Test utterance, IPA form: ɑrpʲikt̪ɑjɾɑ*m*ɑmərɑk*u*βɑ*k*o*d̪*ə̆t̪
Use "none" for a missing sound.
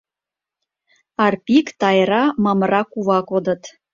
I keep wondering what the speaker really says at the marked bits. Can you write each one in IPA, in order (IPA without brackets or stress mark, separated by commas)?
m, u, k, d̪